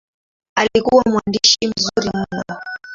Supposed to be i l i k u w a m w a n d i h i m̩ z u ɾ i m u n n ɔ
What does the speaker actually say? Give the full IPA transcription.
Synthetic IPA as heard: a l i k u w a m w a n d i ʃ i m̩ z u ɾ i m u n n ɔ